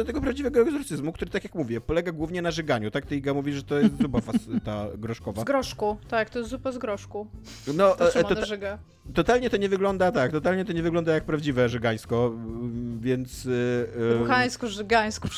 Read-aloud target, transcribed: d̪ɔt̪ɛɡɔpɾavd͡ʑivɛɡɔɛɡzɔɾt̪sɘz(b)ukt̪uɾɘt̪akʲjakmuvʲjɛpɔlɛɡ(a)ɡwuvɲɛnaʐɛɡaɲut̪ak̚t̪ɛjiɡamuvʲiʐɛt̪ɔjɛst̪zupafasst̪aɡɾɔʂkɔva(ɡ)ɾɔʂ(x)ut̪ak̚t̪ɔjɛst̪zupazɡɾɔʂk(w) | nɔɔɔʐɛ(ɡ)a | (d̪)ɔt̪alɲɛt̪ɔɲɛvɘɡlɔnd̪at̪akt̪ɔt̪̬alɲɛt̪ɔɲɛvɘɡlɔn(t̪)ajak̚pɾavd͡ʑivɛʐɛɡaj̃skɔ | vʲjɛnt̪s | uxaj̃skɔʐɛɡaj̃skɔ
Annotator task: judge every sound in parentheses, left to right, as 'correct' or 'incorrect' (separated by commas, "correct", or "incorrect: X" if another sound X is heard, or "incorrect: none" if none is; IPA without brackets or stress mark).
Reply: incorrect: m, correct, correct, incorrect: k, incorrect: u, correct, incorrect: t̪, incorrect: d̪